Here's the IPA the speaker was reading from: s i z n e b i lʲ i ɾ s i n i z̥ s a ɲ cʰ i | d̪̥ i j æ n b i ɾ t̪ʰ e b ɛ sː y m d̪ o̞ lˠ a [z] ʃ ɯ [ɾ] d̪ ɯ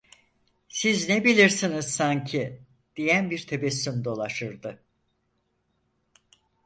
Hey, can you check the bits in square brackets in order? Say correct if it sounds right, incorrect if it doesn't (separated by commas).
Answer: incorrect, correct